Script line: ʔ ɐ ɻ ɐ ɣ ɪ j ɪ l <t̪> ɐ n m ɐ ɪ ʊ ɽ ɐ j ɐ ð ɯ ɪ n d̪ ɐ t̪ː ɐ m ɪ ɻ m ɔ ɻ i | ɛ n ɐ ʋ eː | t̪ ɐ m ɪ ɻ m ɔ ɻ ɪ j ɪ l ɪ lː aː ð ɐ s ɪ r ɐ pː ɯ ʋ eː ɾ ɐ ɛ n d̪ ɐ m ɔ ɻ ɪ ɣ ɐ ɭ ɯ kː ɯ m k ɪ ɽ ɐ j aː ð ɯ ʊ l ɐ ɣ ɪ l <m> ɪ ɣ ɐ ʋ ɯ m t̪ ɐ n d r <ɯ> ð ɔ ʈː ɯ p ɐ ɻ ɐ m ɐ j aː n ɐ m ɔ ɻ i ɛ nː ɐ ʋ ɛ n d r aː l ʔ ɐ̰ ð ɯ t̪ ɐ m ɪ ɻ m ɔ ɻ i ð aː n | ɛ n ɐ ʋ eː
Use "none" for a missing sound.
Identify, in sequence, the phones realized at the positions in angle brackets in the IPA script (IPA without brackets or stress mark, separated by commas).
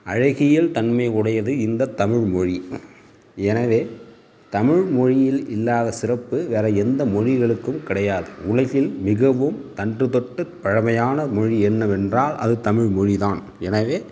t̪, m, ɯ